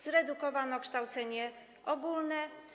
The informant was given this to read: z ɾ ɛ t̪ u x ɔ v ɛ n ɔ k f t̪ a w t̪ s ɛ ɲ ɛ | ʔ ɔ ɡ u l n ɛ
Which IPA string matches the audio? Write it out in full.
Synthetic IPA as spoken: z ɾ ɛ d̪ u k ɔ v a n ɔ k ʂ t̪ a w t̪ s ɛ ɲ ɛ | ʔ ɔ ɡ u l n ɛ

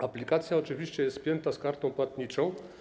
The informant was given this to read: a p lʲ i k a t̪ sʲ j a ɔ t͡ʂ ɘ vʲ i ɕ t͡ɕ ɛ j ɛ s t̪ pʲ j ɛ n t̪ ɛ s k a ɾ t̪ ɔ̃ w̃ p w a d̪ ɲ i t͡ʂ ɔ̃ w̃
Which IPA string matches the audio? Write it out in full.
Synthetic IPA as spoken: a p lʲ i k a t̪ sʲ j a ɔ t͡ʂ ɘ vʲ i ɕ t͡ɕ ɛ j ɛ s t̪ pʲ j ɛ n t̪ a s k a ɾ t̪ ɔ̃ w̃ p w a t̪ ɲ i t͡ʂ ɔ̃ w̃

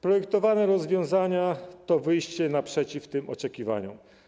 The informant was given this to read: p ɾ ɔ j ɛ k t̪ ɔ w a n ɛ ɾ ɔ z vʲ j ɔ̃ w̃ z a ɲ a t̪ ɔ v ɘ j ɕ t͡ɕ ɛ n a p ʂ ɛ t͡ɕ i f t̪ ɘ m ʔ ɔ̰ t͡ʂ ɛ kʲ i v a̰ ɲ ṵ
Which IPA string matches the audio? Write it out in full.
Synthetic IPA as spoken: p ɾ ɔ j ɛ k t̪ ɔ v a n ɛ ɾ ɔ z vʲ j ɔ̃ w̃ z a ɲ a t̪ ɔ v ɘ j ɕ t͡ɕ ɛ n a p ʂ ɛ t͡ɕ i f t̪ ɘ m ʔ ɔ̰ t͡ʂ ɛ kʲ i v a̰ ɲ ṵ

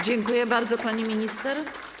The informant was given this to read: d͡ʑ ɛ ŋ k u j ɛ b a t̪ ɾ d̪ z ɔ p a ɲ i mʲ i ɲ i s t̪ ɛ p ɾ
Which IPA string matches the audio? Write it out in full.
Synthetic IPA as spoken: d͡ʑ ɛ ŋ k u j ɛ b a ɾ d̪ z ɔ p a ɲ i mʲ i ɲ i s t̪ ɛ ɾ

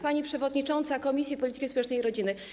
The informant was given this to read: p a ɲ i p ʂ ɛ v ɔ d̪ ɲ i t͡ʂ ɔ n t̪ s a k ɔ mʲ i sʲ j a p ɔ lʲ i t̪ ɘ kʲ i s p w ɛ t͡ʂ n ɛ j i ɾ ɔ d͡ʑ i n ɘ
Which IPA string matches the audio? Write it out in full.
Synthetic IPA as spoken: p a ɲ i p ʂ ɛ v ɔ d̪ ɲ i t͡ʂ ɔ n t̪ s a k ɔ mʲ i sʲ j i p ɔ lʲ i t̪ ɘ kʲ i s p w ɛ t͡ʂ n ɛ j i ɾ ɔ d͡ʑ i n ɘ

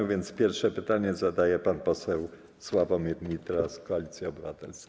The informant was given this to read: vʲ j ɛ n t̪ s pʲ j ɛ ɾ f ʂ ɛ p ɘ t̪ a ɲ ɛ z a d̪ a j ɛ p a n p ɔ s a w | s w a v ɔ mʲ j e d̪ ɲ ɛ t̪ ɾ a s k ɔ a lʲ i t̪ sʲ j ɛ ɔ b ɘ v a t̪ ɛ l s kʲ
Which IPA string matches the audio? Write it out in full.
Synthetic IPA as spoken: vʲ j ɛ n t̪ s pʲ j ɛ ɾ f ʂ ɛ p ɘ t̪ a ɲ ɛ z a d̪ a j ɛ p a n p ɔ s ɛ w | s w a v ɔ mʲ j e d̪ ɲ i t̪ ɾ a s k ɔ a lʲ i t̪ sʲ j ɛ ɔ b ɘ v a t̪ ɛ l s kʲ

